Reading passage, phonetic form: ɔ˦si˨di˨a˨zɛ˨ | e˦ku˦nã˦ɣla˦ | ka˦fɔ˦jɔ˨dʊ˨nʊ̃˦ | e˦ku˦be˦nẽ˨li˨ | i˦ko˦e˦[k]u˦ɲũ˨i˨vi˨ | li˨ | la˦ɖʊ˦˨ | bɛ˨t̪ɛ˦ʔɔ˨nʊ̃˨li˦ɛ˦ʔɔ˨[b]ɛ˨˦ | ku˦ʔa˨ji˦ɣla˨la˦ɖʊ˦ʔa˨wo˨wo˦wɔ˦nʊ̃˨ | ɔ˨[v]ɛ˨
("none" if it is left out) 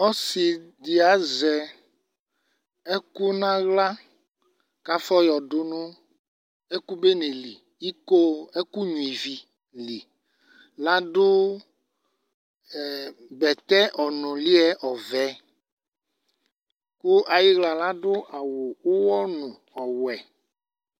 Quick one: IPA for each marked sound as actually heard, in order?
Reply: k, v, w

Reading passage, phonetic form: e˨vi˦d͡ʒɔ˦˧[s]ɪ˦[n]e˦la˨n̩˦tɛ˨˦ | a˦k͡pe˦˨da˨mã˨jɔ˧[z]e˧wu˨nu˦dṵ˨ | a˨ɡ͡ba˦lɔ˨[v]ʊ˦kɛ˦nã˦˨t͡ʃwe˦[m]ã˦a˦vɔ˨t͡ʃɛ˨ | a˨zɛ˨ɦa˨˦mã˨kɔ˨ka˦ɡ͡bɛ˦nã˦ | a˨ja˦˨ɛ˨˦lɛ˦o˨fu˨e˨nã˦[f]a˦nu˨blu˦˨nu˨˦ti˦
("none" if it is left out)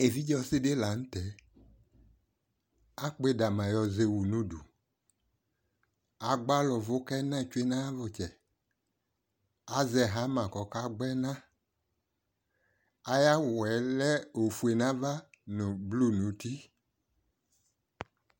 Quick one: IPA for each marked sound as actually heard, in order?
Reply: s, d, z, v, n, v

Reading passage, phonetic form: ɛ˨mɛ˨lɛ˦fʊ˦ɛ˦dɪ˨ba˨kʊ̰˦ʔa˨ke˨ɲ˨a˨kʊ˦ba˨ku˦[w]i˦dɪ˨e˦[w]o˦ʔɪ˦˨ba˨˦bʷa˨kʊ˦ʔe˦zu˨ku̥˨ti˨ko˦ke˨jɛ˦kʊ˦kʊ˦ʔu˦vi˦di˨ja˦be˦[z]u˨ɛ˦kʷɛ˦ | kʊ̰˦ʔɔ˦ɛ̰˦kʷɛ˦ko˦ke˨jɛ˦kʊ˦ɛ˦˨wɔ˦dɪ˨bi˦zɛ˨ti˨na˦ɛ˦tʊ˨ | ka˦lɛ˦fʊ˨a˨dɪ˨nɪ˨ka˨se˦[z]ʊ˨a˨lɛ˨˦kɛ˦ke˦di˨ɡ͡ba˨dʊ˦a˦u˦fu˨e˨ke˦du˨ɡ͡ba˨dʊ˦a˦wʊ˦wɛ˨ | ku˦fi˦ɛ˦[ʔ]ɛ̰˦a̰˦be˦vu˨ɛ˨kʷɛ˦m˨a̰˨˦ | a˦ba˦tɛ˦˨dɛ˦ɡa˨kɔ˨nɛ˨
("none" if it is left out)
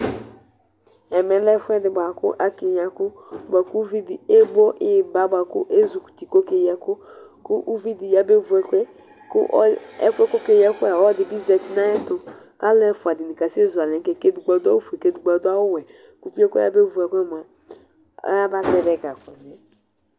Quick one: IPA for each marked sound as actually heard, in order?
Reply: v, b, v, z, k

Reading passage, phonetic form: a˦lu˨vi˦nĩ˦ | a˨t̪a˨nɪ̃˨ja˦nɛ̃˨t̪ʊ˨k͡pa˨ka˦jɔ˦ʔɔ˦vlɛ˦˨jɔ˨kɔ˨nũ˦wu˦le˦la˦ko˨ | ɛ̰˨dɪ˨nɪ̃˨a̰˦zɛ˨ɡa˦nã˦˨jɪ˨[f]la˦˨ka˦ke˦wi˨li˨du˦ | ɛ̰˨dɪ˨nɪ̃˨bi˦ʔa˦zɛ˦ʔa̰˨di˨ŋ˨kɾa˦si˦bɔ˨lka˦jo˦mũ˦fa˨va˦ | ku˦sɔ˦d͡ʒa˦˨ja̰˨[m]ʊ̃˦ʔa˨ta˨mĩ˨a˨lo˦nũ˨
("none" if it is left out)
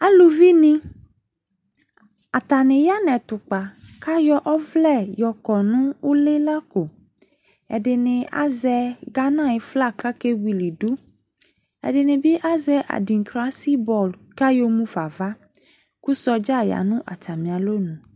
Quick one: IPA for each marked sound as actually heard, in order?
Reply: f, n

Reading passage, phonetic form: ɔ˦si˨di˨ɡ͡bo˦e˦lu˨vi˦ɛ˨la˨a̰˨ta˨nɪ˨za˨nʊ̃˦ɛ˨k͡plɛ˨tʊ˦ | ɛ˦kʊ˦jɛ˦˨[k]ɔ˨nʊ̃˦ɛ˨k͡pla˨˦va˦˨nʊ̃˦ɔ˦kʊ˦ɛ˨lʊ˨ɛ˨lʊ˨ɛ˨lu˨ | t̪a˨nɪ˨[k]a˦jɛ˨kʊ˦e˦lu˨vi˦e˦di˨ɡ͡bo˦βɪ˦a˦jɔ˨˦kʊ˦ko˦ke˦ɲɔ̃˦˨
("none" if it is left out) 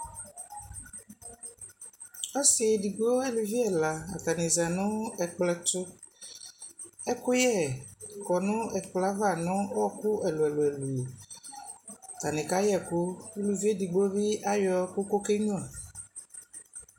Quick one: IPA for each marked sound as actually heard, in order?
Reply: k, k

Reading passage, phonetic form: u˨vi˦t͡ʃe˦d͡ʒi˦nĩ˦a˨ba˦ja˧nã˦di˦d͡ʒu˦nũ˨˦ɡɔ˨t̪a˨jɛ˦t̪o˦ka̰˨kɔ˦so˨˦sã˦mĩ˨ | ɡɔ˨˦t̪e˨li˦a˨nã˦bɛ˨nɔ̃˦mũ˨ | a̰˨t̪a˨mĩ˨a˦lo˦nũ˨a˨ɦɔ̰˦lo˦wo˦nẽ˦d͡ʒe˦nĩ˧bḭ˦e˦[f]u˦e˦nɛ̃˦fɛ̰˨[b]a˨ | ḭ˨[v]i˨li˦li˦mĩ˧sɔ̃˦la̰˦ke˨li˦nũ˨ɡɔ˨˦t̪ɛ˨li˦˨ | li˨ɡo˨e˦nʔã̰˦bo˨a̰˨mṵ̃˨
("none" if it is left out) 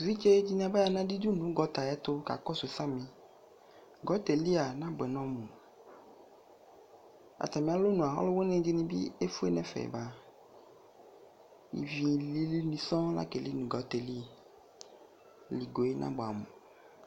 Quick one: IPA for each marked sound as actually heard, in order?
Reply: f, b, v

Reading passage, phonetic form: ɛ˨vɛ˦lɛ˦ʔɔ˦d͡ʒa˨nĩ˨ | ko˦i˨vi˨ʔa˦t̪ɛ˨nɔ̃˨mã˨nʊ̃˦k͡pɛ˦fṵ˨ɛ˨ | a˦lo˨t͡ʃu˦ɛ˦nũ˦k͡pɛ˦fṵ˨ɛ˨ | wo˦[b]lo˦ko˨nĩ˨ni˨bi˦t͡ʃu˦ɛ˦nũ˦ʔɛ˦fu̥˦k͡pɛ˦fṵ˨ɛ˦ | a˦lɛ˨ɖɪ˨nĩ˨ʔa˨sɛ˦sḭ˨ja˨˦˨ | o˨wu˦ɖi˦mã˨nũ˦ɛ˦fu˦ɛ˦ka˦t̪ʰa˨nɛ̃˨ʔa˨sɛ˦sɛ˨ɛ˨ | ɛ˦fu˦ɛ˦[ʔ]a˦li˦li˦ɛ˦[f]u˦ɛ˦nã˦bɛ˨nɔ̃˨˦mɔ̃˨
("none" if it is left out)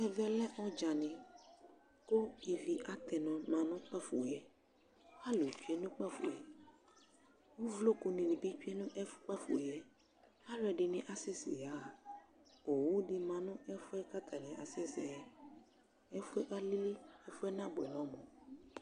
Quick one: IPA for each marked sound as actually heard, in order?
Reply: v, ʔ, f

